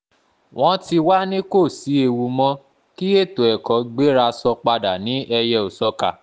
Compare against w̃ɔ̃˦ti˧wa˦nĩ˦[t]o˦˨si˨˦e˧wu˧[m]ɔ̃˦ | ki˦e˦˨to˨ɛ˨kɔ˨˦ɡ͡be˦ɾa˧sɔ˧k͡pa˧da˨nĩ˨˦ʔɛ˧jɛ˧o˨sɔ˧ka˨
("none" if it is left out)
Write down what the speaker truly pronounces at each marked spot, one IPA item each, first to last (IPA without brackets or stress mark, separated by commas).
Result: k, m